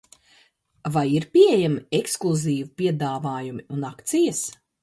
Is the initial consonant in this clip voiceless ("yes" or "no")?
no